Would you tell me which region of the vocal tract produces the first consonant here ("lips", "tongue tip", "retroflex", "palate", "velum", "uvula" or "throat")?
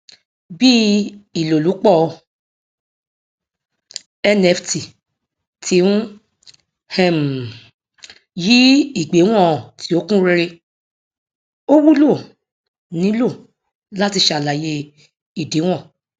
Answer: lips